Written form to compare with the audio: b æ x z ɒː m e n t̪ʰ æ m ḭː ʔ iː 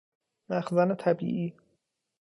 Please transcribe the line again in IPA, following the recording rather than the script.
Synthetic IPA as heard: m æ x z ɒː n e t̪ʰ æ b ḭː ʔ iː